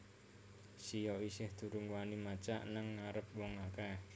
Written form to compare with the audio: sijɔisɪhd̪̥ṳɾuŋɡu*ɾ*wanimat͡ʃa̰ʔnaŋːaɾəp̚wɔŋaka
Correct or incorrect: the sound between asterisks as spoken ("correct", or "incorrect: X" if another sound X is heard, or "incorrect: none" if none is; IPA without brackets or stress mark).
incorrect: none